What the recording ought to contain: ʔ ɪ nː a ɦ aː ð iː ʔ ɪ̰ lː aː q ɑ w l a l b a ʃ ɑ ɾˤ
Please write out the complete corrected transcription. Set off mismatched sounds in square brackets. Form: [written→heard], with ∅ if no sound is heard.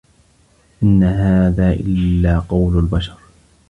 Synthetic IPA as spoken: ʔ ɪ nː a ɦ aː ð [iː→aː] ʔ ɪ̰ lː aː q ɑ w l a l b a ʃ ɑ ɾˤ